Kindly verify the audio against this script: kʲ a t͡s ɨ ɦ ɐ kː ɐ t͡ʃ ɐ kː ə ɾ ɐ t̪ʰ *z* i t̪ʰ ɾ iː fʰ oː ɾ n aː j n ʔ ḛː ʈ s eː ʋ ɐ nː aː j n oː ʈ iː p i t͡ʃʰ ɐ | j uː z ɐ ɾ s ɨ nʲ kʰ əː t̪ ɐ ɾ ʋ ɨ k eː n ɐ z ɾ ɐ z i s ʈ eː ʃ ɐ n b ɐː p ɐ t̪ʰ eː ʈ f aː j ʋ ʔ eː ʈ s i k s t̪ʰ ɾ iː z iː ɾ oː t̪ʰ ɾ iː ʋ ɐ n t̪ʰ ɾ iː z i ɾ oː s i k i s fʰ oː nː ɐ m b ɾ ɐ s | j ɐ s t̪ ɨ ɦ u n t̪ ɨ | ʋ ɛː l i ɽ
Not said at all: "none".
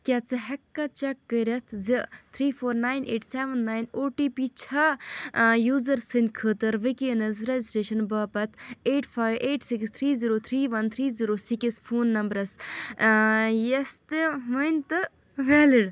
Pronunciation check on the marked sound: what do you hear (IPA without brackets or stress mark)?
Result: z